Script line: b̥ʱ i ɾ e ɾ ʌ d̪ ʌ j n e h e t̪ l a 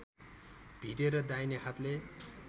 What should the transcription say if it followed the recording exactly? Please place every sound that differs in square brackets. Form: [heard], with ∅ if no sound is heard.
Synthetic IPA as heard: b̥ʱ i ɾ e ɾ ʌ d̪ [a] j n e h [a] t̪ l [e]